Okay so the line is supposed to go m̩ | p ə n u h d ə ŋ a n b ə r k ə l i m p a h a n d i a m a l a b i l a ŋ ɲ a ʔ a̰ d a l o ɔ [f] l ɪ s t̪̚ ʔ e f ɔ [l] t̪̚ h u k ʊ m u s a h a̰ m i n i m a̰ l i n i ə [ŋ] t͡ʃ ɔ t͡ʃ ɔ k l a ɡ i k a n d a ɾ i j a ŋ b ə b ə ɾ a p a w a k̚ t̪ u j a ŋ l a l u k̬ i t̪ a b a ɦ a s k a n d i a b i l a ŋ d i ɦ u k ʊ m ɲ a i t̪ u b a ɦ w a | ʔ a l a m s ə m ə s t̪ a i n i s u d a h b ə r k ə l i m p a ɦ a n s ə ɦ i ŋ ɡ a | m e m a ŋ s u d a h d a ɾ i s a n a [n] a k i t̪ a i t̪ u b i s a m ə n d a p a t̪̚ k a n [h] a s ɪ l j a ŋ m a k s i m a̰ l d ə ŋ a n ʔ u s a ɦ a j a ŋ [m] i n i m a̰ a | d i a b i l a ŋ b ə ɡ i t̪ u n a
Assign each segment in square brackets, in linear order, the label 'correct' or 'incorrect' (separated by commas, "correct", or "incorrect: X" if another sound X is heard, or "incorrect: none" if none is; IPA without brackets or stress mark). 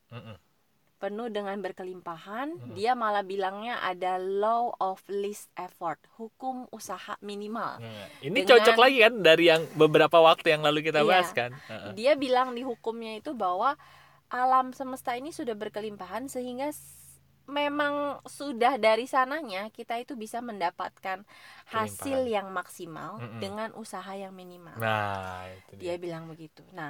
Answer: correct, incorrect: r, correct, incorrect: ɲ, correct, correct